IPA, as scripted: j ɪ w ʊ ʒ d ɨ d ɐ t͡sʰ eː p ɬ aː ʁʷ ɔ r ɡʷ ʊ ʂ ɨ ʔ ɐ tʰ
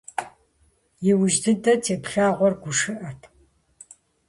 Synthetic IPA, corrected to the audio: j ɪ w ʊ ʒ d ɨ d ɐ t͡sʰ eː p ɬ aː ʁʷ ɔ r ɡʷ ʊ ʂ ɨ ʔ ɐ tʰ